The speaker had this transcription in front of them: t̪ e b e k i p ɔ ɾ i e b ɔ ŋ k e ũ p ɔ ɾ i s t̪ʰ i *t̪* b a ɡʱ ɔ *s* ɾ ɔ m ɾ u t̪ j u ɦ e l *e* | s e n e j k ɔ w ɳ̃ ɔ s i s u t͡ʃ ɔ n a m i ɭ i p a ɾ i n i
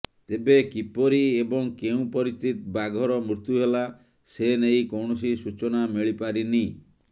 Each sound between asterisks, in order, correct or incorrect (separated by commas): correct, incorrect, incorrect